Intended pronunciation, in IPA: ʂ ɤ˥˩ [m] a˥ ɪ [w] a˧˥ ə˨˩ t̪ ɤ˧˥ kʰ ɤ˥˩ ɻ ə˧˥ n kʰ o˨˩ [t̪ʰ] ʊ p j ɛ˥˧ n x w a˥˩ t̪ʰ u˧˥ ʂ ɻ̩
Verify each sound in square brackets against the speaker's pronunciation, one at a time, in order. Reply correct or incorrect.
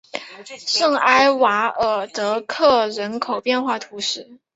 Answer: incorrect, correct, incorrect

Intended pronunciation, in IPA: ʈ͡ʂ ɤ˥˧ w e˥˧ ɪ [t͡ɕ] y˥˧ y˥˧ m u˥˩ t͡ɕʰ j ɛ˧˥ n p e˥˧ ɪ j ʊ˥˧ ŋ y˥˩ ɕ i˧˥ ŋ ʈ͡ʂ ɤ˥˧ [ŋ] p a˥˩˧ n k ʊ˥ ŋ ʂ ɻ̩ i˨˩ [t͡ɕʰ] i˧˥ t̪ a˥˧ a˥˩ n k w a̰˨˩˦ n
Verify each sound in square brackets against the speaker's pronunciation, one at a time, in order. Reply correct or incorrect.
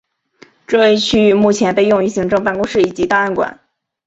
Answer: incorrect, correct, incorrect

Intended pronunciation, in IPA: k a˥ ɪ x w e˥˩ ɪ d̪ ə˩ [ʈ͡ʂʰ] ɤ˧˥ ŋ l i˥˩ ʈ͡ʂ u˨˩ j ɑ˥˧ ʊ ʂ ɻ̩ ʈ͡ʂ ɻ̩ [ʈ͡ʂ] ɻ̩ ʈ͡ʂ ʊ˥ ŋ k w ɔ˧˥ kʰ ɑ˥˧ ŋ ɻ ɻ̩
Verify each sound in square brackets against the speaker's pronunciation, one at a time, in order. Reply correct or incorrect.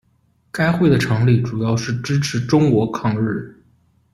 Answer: correct, incorrect

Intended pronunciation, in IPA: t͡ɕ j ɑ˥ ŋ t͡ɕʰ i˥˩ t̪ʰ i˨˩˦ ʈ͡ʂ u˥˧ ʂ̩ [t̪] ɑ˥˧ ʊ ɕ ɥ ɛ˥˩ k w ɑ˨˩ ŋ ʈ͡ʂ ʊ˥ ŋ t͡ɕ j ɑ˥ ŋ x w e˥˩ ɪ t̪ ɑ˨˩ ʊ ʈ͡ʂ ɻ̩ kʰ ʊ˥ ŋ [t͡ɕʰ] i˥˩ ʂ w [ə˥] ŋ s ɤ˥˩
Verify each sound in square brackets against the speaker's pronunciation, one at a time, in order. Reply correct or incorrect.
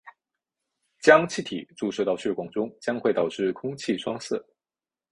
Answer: correct, correct, incorrect

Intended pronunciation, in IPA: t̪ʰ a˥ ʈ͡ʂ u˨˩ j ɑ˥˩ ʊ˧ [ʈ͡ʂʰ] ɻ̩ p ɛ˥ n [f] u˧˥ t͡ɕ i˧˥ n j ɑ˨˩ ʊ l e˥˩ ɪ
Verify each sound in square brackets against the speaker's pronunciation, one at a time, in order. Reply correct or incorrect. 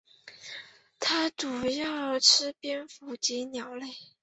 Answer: correct, correct

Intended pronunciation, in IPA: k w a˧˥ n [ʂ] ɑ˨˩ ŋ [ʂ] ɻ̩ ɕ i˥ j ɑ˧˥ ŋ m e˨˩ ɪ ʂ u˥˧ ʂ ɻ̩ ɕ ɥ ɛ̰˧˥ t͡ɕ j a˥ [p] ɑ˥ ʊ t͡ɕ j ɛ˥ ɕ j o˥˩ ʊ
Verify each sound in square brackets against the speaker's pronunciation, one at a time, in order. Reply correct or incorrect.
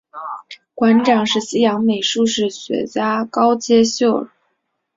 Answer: incorrect, correct, incorrect

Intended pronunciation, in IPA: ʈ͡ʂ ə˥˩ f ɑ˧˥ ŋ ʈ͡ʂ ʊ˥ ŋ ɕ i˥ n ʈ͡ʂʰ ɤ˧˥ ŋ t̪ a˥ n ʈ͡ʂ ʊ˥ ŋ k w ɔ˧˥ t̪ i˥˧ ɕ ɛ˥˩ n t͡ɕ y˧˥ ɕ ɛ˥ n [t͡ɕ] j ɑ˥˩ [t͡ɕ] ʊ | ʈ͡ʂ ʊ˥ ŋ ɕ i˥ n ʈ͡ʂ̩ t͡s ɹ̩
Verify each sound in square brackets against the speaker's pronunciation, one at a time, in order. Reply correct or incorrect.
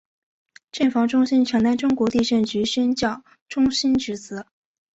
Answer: correct, incorrect

